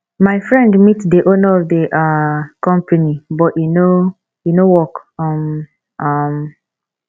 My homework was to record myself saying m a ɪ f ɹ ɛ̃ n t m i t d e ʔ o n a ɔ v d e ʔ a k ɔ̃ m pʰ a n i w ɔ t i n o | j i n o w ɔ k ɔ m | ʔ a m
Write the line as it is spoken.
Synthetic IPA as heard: m a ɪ f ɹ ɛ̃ n d m i t d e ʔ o n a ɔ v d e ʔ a k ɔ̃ m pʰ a n i b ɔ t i n o | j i n o w ɔ k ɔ m | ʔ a m